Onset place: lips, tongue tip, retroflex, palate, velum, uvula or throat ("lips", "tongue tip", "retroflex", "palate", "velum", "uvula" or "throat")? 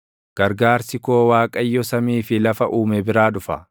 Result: velum